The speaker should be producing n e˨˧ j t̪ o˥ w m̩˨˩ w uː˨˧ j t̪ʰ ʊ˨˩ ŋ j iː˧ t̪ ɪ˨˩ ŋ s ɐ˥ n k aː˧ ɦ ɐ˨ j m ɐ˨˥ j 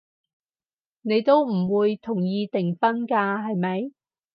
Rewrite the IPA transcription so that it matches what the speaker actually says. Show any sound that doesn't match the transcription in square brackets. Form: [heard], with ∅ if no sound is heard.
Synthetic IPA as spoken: n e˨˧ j t̪ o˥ w m̩˨˩ w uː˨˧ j t̪ʰ ʊ˨˩ ŋ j iː˧ t̪ ɪ˨˩ ŋ [f] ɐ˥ n k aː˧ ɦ ɐ˨ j m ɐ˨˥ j